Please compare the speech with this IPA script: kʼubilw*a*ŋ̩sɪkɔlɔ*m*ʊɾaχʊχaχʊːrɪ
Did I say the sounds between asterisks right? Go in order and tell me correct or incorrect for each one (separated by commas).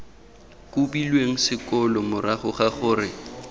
incorrect, correct